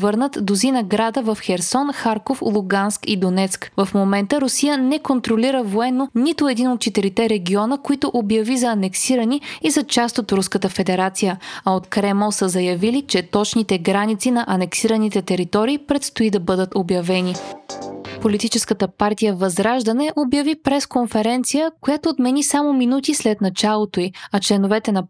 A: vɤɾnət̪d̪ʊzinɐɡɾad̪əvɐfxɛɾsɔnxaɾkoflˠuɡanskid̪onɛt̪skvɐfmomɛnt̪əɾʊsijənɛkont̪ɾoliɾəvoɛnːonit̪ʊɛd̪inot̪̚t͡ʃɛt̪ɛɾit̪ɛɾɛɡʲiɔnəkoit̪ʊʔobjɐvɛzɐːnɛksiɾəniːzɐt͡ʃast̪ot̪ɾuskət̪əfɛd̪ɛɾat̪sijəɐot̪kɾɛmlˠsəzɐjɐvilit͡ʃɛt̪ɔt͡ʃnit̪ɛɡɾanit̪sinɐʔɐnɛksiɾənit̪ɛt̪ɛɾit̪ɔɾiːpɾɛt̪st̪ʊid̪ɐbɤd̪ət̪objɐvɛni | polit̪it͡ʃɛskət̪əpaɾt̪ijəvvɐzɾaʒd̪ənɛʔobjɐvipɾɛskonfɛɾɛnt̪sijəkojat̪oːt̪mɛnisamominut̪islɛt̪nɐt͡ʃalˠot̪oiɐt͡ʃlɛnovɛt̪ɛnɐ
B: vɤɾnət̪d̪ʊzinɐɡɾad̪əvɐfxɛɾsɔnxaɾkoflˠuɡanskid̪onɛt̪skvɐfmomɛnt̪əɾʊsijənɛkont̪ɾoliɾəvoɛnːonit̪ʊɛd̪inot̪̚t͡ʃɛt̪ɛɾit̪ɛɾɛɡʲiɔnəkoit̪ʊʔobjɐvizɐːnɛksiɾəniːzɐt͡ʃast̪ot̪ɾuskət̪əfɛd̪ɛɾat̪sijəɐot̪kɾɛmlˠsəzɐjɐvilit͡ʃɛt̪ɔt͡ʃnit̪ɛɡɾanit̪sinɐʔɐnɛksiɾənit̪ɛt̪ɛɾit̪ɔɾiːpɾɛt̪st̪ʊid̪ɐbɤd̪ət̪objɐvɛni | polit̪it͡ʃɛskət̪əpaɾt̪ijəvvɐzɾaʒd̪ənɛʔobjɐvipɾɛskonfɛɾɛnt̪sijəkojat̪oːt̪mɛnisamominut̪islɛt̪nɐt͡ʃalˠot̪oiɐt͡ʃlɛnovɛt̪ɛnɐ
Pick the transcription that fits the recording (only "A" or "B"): B